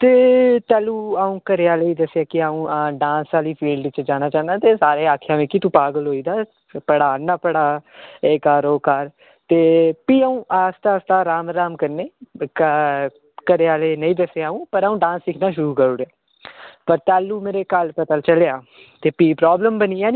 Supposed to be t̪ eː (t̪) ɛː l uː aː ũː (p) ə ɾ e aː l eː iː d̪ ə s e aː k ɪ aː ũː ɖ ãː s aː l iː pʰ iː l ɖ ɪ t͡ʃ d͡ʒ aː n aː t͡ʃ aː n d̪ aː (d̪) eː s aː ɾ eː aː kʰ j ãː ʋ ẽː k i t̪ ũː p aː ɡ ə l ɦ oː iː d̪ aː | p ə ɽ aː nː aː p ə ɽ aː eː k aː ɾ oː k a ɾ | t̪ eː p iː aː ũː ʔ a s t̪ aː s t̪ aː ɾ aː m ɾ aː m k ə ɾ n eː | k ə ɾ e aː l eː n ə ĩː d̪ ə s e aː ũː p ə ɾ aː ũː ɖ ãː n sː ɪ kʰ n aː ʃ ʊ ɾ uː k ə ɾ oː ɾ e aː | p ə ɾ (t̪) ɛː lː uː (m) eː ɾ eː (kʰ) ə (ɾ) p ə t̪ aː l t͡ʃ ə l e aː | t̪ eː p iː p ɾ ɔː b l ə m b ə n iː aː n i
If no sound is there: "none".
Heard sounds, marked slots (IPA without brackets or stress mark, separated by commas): t̪, k, t̪, t̪, m, k, l